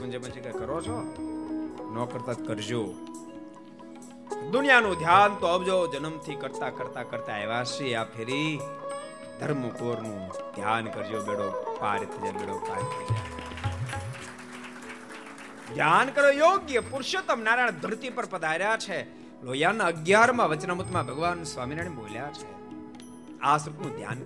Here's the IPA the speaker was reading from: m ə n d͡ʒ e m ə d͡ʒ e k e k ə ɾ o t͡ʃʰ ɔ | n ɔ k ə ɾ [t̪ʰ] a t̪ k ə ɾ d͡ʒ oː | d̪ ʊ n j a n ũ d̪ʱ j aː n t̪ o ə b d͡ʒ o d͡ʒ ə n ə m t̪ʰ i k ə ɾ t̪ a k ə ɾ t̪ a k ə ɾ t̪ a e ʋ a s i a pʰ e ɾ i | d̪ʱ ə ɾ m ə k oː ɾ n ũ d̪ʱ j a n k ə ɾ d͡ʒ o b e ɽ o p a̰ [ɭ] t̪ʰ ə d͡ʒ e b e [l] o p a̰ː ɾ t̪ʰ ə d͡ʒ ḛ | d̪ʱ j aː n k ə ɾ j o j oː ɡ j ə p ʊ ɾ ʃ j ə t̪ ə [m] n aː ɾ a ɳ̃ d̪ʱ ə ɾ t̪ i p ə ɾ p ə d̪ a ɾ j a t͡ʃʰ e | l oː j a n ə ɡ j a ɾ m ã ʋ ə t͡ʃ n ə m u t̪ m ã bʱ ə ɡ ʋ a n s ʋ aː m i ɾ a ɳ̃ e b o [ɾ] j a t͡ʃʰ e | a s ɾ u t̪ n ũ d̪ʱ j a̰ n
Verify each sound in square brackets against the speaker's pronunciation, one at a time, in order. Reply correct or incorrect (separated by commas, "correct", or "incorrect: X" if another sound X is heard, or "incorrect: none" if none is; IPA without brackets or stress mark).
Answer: incorrect: t̪, incorrect: ɾ, incorrect: ɽ, correct, incorrect: l